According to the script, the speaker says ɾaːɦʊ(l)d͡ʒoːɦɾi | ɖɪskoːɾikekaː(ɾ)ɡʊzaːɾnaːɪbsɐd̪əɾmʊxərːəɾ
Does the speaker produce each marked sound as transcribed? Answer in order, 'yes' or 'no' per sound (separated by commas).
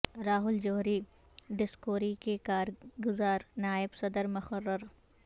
yes, yes